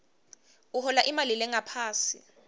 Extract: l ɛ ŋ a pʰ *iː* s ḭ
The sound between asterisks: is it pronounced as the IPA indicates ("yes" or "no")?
no